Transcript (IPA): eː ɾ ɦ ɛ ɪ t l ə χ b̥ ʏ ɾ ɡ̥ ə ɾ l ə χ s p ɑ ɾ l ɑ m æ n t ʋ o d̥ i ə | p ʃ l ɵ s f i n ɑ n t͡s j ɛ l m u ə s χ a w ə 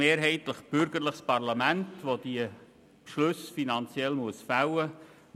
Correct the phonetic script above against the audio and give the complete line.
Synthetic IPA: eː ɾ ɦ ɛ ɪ t l ə χ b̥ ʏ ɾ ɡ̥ ə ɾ l ə χ s p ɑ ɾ l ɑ m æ n t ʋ o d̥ i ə | p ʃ l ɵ s f i n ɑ n t͡s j ɛ l m u ə s f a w ə